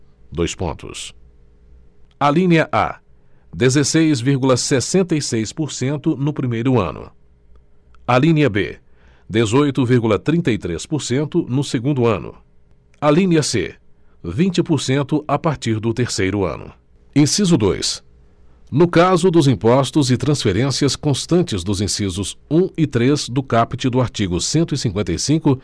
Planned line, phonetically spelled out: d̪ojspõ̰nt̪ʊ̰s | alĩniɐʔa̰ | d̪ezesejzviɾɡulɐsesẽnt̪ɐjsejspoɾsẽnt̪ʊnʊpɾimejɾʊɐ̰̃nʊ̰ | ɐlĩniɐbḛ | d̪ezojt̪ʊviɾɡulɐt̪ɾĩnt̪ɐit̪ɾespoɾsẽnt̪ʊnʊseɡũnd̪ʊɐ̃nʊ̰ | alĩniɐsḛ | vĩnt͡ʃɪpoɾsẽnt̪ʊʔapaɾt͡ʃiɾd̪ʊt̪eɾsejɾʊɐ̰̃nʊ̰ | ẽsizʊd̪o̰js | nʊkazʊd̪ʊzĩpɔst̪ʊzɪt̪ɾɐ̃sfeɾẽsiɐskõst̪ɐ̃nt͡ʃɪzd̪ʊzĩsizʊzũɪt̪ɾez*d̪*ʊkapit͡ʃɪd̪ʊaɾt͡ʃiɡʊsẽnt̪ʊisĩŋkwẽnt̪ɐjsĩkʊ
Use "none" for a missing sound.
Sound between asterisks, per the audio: d̪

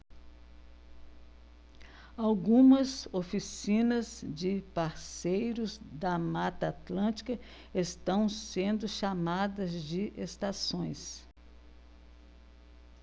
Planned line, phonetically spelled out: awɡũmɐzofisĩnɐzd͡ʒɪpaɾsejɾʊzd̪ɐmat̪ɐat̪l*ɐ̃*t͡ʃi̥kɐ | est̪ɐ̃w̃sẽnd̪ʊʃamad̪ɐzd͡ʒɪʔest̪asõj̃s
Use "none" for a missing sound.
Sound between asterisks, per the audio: ɐ̃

